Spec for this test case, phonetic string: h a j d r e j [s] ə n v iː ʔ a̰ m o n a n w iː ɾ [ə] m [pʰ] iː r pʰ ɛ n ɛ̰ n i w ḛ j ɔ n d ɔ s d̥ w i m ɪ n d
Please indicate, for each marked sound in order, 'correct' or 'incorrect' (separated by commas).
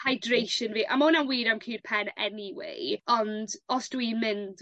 incorrect, incorrect, incorrect